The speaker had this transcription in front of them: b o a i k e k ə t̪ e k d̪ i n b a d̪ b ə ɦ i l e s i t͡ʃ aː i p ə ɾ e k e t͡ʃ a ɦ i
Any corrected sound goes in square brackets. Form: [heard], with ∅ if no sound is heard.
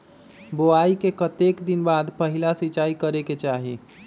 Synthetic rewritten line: b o a i k e k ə t̪ e k d̪ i n b a d̪ [p] ə ɦ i l [a] s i t͡ʃ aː i [k] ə ɾ e k e t͡ʃ a ɦ i